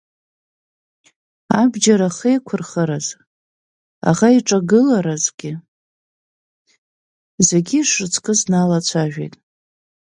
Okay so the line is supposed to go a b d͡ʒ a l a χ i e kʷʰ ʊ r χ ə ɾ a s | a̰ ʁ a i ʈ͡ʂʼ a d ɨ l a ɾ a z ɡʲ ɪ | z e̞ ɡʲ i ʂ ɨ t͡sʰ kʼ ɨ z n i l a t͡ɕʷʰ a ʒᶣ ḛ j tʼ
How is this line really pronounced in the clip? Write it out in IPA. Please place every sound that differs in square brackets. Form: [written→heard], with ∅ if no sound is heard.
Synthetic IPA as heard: a b d͡ʒ a [l→ɾ] a χ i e kʷʰ ʊ r χ ə ɾ a [s→z] | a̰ ʁ a i ʈ͡ʂʼ a [d→ɡ] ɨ l a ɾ a z ɡʲ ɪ | z e̞ ɡʲ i ʂ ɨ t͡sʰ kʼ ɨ z n [i→a] l a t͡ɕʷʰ a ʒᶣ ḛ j tʼ